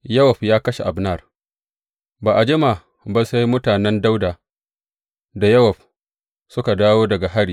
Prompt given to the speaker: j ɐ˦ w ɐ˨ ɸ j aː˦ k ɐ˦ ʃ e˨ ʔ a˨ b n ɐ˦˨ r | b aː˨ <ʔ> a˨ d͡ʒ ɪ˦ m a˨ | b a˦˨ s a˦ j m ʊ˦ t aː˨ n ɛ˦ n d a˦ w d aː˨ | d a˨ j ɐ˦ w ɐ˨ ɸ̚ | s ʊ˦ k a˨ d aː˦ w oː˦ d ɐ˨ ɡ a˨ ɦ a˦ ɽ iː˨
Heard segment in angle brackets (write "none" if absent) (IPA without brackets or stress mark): ʔ